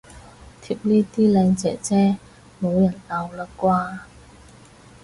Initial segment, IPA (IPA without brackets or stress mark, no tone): t̪ʰ